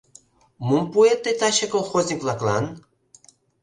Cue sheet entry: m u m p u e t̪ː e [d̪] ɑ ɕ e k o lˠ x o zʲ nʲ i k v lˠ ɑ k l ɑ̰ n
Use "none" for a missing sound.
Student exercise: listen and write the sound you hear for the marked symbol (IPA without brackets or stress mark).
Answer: t̪